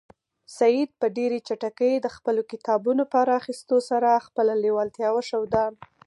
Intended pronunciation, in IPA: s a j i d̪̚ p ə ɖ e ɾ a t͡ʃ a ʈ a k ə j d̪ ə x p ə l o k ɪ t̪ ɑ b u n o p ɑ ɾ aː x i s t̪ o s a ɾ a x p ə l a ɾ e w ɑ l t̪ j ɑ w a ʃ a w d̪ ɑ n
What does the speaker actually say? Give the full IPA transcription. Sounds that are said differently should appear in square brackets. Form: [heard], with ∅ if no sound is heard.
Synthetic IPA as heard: s a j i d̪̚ p ə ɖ e ɾ [e] t͡ʃ a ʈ a k ə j d̪ ə x p ə l o k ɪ t̪ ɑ b u n o p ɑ ɾ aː x i s t̪ o s a ɾ a x p ə l a [l] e w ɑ l t̪ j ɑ w a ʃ a w d̪ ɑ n